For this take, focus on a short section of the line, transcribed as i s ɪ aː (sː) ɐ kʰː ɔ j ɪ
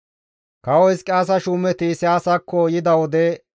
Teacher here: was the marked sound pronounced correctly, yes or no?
no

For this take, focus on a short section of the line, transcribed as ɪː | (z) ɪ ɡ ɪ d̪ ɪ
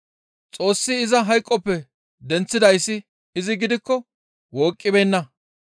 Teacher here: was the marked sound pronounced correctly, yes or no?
yes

